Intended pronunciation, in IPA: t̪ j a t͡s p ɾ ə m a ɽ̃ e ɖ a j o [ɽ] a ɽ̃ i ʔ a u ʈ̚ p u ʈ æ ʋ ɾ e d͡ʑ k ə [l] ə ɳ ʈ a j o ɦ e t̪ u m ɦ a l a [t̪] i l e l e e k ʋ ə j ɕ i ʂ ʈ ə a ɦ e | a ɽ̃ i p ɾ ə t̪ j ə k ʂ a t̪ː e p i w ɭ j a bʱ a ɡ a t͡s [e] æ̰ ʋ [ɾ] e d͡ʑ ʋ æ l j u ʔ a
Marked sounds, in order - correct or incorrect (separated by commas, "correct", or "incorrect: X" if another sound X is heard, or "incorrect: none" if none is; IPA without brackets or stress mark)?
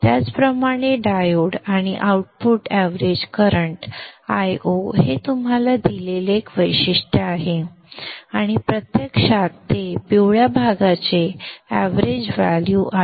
correct, incorrect: ɾ, incorrect: d̪, correct, correct